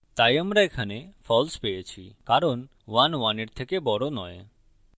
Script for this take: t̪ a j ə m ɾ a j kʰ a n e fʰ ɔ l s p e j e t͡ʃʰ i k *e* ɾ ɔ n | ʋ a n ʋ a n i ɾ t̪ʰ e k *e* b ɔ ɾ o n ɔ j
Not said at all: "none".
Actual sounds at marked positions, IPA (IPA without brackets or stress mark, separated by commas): a, e